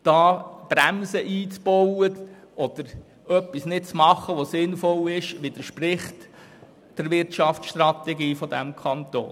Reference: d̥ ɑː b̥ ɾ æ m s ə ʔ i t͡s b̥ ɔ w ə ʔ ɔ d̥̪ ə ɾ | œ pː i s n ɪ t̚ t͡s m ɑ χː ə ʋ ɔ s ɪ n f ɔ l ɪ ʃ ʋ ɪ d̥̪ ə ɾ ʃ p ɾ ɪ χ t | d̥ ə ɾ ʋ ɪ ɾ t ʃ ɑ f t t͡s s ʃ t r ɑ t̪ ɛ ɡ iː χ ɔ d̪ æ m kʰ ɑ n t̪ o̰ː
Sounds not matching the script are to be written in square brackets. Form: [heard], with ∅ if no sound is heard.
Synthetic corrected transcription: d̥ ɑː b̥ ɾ æ m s ə ʔ [iː] t͡s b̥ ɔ w ə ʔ ɔ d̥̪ ə ɾ | œ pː i s n ɪ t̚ t͡s m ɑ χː ə ʋ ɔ s ɪ n f ɔ l ɪ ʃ ʋ ɪ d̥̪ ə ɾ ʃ p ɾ ɪ χ t | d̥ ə ɾ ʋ ɪ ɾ t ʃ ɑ f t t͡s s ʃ t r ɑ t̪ ɛ ɡ iː [f] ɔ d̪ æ m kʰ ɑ n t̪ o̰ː